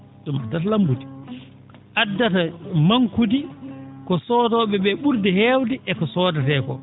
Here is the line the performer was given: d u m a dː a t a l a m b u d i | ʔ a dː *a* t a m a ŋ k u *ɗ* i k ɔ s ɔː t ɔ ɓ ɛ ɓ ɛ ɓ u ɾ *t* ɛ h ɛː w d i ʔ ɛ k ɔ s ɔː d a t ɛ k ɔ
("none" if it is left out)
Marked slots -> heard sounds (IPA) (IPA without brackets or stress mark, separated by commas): a, d, d